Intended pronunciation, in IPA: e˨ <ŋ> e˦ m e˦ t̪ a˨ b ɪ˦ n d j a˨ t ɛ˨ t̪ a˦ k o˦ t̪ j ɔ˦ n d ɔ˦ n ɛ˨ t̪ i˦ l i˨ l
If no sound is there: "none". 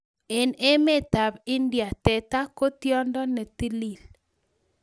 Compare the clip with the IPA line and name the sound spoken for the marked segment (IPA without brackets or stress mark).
n